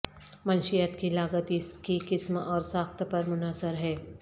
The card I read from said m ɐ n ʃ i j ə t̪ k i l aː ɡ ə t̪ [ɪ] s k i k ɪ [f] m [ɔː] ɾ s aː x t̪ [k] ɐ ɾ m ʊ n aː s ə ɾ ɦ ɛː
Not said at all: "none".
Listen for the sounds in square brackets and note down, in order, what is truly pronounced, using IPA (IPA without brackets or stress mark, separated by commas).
i, s, ɔː, p